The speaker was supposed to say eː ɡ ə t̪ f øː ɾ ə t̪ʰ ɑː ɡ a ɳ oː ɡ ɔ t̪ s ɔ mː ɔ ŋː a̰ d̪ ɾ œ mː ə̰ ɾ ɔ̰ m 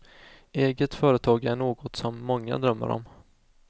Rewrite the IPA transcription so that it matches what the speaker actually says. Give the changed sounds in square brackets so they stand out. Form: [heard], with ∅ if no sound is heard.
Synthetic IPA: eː ɡ ə t̪ f [œː] ɾ ə t̪ʰ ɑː ɡ [æ] ɳ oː ɡ ɔ t̪ s ɔ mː ɔ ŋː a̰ d̪ ɾ œ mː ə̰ ɾ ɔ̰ m